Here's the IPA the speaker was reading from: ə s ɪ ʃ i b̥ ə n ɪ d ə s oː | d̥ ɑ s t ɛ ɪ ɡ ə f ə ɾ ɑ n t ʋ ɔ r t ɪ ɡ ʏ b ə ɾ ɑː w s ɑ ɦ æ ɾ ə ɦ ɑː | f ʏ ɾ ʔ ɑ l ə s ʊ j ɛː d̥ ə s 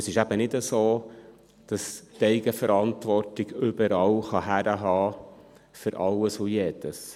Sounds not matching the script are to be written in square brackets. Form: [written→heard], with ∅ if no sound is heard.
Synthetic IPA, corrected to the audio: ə s ɪ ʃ [i→æ] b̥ ə n ɪ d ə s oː | d̥ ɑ s t ɛ ɪ ɡ ə f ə ɾ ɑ n t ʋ ɔ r t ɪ ɡ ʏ b ə ɾ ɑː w [s→χ] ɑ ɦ æ ɾ ə ɦ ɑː | f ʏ ɾ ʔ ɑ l ə s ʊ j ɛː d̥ ə s